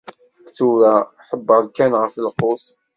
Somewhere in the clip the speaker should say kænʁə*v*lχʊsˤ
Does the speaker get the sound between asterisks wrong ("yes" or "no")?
yes